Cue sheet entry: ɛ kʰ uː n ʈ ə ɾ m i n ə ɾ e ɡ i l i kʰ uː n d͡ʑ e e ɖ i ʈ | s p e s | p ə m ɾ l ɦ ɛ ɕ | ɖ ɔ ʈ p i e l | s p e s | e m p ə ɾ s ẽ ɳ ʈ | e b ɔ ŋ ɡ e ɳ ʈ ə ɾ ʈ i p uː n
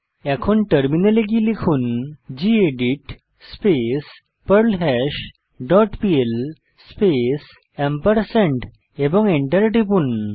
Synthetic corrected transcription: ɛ kʰ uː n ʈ ə ɾ m i n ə l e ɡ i l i kʰ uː n d͡ʑ i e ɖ i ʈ | s p e s | p ə ɾ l ɦ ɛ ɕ | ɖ ɔ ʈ p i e l | s p e s | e m p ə ɾ s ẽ ɳ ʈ | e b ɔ ŋ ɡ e ɳ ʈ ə ɾ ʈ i p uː n